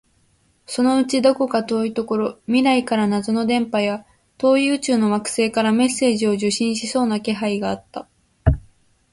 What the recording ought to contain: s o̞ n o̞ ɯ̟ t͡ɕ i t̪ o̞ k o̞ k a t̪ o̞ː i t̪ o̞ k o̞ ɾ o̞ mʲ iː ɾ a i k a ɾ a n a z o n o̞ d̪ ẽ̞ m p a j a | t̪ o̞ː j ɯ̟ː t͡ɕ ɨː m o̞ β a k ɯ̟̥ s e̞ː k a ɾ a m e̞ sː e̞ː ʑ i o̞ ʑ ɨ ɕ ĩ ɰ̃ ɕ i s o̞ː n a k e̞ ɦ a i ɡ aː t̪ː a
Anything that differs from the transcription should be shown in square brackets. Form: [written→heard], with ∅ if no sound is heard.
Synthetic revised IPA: s o̞ n o̞ ɯ̟ t͡ɕ i [t̪→d̪] o̞ k o̞ k a t̪ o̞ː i t̪ o̞ k o̞ ɾ o̞ mʲ [iː→i] ɾ a i k a ɾ a n a z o n o̞ d̪ ẽ̞ m p a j a | t̪ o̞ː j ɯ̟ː t͡ɕ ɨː [m→n] o̞ β a k ɯ̟̥ s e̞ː k a ɾ a m e̞ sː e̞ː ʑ i o̞ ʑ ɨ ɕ ĩ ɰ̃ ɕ i s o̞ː n a k e̞ ɦ a i ɡ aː t̪ː a